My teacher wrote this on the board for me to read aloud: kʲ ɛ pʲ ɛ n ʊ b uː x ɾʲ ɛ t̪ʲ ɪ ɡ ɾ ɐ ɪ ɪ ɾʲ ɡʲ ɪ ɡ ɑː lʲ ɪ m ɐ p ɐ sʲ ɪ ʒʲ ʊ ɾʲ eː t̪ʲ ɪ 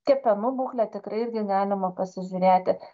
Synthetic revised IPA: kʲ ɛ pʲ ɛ n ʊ b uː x lʲ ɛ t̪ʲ ɪ k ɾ ɐ ɪ ɪ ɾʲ ɡʲ ɪ ɡ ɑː lʲ ɪ m ɐ p ɐ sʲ ɪ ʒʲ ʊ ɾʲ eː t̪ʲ ɪ

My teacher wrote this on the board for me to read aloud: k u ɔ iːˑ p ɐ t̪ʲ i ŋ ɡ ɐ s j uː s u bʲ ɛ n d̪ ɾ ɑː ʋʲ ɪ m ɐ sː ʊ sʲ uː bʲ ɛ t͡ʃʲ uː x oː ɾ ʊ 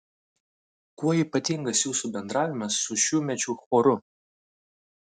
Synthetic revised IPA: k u ɔ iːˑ p ɐ t̪ʲ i ŋ ɡ ɐ s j uː s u bʲ ɛ n d̪ ɾ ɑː ʋʲ ɪ m ɐ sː ʊ ʃʲ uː mʲ ɛ t͡ʃʲ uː x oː ɾ ʊ

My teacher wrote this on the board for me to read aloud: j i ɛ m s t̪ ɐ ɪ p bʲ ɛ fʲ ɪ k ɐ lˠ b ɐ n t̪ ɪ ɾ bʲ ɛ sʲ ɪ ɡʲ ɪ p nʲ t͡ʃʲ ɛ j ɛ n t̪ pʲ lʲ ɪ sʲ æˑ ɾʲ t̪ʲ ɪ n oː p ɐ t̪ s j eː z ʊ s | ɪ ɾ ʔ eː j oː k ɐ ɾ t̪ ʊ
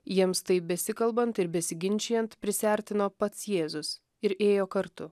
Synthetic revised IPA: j i ɛ m s t̪ ɐ ɪ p bʲ ɛ sʲ ɪ k ɐ lˠ b ɐ n t̪ ɪ ɾ bʲ ɛ sʲ ɪ ɡʲ ɪ nʲ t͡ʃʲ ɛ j ɛ n t̪ pʲ ɾʲ ɪ sʲ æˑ ɾʲ t̪ʲ ɪ n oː p ɐ t̪ s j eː z ʊ s | ɪ ɾ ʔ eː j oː k ɐ ɾ t̪ ʊ

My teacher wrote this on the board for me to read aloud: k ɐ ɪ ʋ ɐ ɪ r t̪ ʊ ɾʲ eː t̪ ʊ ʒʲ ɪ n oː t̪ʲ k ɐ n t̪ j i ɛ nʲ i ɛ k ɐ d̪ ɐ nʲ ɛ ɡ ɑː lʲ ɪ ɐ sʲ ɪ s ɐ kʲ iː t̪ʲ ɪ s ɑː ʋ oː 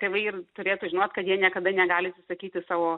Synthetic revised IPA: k ɐ ɪ ʋ ɐ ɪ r t̪ ʊ ɾʲ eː t̪ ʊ ʒʲ ɪ n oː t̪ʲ k ɐ t̪ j i ɛ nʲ i ɛ k ɐ d̪ ɐ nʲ ɛ ɡ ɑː lʲ ɪ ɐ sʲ ɪ s ɐ kʲ iː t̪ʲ ɪ s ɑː ʋ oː

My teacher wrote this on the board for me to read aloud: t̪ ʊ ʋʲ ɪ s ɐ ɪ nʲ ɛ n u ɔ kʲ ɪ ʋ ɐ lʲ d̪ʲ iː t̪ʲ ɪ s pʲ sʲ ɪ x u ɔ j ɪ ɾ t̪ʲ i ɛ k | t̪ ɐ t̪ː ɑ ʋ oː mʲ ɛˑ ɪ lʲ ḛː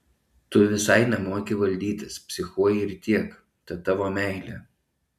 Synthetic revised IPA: t̪ ʊ ʋʲ ɪ s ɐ ɪ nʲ ɛ m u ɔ kʲ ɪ ʋ ɐ lʲ d̪ʲ iː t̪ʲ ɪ s pʲ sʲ ɪ x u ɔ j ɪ ɾ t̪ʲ i ɛ k | t̪ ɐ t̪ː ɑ ʋ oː mʲ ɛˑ ɪ lʲ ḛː

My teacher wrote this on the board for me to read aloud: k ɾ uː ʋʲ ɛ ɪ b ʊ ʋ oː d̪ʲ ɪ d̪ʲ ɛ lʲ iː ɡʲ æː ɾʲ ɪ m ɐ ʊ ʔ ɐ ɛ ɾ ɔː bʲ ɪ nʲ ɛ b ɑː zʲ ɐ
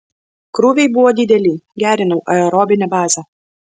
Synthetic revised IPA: k ɾ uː ʋʲ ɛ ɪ b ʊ ʋ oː d̪ʲ ɪ d̪ʲ ɛ lʲ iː ɡʲ æː ɾʲ ɪ n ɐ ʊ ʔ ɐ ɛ ɾ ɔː bʲ ɪ nʲ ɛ b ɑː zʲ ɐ

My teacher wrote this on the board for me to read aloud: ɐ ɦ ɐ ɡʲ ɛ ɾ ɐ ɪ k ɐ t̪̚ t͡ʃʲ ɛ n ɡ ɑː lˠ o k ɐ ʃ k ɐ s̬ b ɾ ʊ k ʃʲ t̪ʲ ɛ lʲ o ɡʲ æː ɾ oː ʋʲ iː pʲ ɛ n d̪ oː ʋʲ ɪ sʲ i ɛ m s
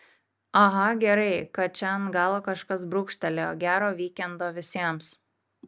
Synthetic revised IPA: ɐ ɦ ɐ ɡʲ ɛ ɾ ɐ ɪ k ɐ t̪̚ t͡ʃʲ ɛ n ɡ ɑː lˠ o k ɐ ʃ k ɐ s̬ b ɾ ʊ k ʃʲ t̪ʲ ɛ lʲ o ɡʲ æː ɾ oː ʋʲ iː kʲ ɛ n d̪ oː ʋʲ ɪ sʲ i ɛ m s

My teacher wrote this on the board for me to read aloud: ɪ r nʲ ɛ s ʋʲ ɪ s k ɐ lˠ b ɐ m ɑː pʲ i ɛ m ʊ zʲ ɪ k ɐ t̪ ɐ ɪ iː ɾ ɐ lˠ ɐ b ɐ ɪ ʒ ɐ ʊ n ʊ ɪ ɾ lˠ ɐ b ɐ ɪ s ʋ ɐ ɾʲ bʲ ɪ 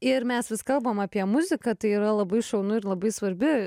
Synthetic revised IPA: ɪ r mʲ ɛ s ʋʲ ɪ s k ɐ lˠ b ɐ m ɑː pʲ i ɛ m ʊ zʲ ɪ k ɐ t̪ ɐ ɪ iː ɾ ɐ lˠ ɐ b ɐ ɪ ʃ ɐ ʊ n ʊ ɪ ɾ lˠ ɐ b ɐ ɪ s ʋ ɐ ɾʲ bʲ ɪ

